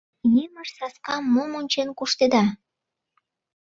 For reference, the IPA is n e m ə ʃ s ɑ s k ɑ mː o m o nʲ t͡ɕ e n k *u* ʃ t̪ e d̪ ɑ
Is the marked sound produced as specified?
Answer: yes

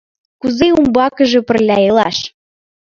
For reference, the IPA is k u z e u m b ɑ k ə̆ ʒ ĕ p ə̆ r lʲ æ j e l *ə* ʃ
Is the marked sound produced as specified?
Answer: no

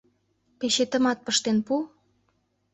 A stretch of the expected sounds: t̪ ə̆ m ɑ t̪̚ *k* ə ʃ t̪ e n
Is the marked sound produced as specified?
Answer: no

